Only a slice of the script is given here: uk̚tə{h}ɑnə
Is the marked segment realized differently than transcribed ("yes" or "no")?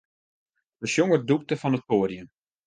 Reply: yes